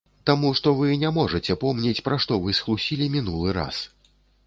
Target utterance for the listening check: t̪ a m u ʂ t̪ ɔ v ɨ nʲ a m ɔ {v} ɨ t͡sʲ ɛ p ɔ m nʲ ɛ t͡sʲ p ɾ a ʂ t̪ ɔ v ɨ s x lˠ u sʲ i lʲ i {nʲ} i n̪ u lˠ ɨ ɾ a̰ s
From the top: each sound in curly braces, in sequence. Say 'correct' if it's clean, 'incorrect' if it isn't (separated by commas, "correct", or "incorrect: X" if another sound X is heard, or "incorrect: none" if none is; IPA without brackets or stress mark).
incorrect: ʐ, incorrect: mʲ